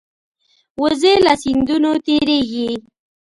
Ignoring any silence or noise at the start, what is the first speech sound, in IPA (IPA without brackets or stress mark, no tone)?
w